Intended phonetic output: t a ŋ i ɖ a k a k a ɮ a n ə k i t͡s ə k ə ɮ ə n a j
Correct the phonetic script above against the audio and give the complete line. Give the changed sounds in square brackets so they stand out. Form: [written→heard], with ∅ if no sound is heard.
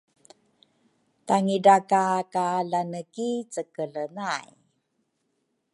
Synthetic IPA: t a ŋ i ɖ a k a k a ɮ a n ə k i t͡s ə k ə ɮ ə n a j